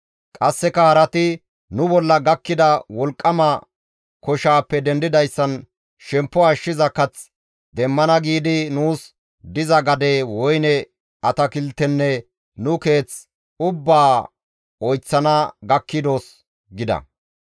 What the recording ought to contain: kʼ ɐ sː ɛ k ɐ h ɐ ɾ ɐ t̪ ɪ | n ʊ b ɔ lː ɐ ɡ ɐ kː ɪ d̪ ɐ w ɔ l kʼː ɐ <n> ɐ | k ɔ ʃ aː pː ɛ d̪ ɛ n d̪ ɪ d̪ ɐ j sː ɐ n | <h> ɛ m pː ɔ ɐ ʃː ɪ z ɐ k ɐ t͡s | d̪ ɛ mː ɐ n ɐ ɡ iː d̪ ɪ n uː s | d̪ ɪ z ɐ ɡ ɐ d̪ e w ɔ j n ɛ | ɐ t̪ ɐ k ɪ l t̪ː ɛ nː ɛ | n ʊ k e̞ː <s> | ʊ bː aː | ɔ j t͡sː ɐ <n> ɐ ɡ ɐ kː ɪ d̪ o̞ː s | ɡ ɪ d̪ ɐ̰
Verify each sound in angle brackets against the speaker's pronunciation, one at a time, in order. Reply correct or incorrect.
incorrect: m, incorrect: ʃ, incorrect: t͡s, correct

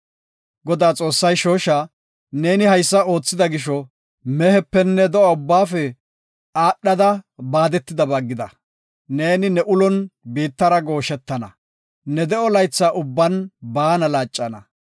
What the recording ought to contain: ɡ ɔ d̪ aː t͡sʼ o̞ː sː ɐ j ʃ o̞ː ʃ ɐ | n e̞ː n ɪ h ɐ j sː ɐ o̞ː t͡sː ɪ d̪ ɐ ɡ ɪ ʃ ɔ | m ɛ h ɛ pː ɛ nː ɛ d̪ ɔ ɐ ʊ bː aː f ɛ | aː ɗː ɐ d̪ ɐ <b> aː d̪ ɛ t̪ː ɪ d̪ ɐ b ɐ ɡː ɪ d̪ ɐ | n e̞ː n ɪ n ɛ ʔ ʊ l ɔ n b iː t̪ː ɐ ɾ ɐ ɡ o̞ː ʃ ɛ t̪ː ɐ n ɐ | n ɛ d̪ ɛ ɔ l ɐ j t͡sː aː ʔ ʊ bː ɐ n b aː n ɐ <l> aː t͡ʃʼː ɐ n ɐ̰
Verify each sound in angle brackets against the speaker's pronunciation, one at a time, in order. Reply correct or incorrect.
correct, correct

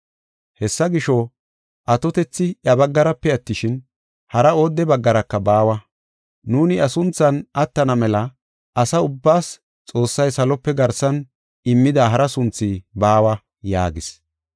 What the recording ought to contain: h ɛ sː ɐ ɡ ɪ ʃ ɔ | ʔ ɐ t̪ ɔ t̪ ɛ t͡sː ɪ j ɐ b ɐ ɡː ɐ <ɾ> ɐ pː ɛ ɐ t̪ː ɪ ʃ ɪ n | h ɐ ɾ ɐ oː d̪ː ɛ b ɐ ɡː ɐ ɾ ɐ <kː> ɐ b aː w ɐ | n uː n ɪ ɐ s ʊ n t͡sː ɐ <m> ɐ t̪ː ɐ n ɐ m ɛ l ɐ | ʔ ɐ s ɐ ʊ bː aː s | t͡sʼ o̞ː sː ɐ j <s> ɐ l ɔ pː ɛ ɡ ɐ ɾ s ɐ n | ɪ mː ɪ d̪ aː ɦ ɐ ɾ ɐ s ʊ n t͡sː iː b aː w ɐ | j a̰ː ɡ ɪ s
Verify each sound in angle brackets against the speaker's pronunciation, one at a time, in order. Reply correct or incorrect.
correct, correct, incorrect: n, correct

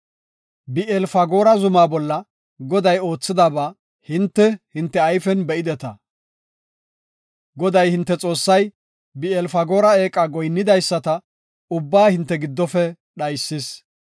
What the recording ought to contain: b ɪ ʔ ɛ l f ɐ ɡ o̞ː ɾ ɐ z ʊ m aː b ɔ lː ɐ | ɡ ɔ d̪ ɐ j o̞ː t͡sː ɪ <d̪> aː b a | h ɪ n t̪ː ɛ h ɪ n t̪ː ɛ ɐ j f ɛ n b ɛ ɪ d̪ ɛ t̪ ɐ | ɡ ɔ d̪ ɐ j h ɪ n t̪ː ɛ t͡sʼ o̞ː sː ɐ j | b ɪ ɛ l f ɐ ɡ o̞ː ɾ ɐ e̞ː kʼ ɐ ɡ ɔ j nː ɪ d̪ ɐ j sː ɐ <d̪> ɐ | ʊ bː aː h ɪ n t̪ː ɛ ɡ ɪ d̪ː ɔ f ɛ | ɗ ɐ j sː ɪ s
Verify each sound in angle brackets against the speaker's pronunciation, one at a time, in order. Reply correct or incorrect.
correct, incorrect: t̪

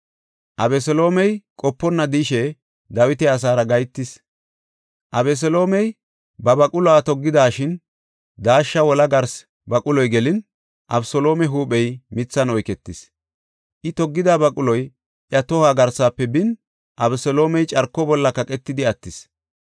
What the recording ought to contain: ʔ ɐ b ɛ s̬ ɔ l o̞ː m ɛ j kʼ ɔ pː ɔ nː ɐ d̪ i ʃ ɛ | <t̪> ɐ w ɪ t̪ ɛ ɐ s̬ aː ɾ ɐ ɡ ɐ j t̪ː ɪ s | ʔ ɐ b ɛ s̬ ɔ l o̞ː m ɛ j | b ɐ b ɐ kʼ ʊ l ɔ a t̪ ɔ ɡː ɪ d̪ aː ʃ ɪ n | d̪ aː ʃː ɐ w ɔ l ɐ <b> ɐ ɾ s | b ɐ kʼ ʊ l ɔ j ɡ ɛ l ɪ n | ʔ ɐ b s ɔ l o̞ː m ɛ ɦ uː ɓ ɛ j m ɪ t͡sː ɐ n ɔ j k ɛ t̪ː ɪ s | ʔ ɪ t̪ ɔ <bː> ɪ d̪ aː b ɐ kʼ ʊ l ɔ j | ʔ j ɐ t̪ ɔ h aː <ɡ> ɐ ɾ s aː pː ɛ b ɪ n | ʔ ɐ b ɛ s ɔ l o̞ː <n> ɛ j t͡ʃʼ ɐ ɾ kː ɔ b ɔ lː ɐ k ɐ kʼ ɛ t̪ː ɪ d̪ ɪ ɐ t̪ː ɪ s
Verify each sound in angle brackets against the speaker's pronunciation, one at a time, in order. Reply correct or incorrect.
incorrect: d̪, incorrect: ɡ, incorrect: ɡː, correct, incorrect: m

